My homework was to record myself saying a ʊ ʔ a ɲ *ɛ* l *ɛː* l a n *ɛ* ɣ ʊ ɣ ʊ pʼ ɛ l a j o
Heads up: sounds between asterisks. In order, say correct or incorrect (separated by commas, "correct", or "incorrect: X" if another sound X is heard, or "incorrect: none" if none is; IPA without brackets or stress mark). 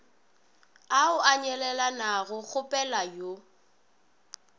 correct, incorrect: ɛ, incorrect: a